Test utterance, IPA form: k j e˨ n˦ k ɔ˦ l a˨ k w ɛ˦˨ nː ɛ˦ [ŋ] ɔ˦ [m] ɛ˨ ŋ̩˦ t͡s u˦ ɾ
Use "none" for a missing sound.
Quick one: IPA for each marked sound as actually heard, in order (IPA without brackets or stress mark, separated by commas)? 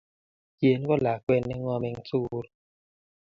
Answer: ŋ, m